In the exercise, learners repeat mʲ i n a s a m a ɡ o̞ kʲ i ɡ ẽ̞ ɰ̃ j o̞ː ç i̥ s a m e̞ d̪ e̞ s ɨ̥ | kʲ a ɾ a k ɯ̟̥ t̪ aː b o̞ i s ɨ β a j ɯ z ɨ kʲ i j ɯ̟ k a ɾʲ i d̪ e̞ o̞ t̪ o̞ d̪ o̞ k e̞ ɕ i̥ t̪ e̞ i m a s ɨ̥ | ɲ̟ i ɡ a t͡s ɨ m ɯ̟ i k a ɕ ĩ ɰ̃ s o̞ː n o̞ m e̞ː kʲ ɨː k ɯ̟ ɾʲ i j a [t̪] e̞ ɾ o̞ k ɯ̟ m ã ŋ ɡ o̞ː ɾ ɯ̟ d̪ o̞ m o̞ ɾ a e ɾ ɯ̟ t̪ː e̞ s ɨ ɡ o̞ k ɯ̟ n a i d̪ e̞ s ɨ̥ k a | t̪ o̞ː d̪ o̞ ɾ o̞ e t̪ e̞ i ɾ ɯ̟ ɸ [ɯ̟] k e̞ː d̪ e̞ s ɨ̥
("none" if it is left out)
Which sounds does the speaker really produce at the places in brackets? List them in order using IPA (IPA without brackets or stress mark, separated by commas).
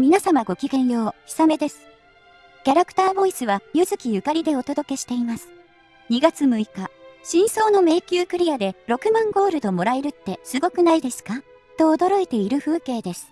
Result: d̪, ɯ̟ː